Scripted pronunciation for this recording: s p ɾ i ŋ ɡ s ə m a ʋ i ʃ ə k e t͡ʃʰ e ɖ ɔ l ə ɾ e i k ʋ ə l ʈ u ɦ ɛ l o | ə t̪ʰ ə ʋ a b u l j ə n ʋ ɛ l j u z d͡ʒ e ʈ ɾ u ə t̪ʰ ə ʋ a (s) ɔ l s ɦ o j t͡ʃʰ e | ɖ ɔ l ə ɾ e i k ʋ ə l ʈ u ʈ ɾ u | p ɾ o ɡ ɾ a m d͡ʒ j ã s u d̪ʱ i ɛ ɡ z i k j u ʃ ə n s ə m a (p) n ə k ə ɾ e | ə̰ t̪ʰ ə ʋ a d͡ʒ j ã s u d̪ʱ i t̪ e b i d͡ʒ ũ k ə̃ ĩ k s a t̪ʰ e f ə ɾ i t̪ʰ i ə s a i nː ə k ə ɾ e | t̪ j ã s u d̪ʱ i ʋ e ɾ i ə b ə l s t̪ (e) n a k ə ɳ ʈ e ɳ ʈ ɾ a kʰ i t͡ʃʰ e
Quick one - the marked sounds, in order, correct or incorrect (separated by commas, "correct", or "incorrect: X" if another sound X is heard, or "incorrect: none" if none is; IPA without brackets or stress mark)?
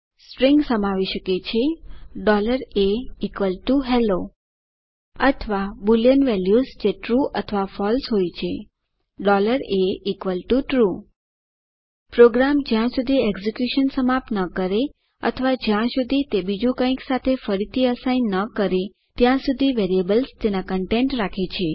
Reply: incorrect: f, correct, correct